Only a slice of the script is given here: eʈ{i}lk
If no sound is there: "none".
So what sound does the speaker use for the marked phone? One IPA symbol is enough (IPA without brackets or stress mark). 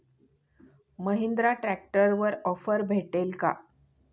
e